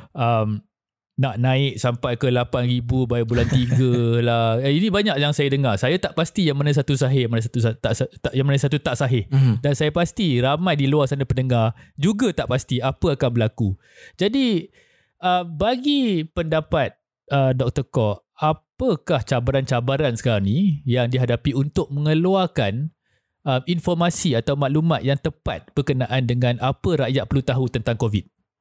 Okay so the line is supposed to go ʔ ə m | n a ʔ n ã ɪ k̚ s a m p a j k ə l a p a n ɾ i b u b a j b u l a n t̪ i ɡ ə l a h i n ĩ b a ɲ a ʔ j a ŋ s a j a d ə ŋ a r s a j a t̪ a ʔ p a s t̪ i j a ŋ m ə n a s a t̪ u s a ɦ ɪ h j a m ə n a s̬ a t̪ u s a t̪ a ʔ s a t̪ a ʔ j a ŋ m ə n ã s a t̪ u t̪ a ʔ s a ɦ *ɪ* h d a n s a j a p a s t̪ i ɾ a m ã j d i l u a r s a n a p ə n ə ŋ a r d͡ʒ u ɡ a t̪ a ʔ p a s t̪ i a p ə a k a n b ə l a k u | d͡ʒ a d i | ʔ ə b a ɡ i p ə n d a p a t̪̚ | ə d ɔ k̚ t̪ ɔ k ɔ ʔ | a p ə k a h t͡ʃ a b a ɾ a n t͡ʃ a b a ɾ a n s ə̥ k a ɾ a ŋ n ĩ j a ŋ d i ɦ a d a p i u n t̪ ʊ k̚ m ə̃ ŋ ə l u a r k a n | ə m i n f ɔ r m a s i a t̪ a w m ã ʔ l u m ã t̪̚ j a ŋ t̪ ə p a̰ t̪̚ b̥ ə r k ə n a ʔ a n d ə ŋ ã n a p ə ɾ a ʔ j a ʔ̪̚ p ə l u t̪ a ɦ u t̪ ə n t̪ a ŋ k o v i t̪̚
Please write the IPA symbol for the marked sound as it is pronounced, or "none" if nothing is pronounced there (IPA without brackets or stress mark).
ɪ